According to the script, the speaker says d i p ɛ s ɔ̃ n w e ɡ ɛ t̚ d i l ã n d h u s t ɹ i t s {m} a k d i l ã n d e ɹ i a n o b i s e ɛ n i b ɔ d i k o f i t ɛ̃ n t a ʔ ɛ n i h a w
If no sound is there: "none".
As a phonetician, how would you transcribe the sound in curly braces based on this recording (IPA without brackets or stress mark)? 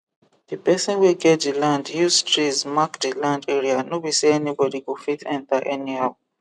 m